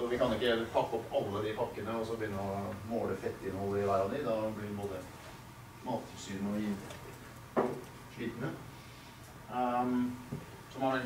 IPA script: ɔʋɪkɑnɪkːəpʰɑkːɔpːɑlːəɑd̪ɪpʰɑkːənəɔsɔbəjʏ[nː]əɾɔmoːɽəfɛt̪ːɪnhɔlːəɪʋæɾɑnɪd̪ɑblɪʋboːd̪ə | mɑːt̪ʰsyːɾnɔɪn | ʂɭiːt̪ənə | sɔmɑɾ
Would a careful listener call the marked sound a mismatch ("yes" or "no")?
no